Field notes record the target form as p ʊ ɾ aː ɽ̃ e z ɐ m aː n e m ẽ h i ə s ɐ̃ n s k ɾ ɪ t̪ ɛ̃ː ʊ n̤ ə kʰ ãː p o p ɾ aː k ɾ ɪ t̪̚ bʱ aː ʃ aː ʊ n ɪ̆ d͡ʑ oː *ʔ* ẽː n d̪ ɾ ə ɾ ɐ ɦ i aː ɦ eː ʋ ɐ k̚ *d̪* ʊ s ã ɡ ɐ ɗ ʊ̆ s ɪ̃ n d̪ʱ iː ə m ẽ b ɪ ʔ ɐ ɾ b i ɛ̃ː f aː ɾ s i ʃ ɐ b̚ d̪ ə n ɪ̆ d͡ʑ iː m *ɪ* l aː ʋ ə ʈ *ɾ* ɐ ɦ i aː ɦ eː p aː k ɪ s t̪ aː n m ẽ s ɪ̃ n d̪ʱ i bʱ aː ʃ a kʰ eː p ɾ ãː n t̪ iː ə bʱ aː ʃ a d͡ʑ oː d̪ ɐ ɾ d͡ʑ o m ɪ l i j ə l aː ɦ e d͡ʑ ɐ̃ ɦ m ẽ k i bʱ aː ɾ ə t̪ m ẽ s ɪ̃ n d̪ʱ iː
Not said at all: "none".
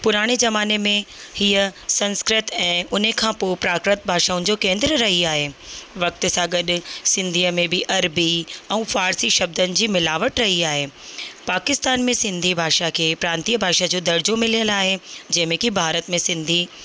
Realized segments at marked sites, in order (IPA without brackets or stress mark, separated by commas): k, t̪, ɪ, ɾ